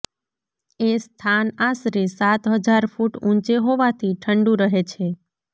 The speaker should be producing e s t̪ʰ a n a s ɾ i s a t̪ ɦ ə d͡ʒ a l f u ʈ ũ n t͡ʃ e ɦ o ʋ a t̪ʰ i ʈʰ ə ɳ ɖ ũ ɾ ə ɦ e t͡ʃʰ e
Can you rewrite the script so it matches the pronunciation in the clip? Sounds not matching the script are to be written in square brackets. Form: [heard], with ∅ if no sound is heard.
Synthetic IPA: e s t̪ʰ a n a s ɾ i s a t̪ ɦ ə d͡ʒ a [ɾ] f u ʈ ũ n t͡ʃ e ɦ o ʋ a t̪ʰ i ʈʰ ə ɳ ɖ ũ ɾ ə ɦ e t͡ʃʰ e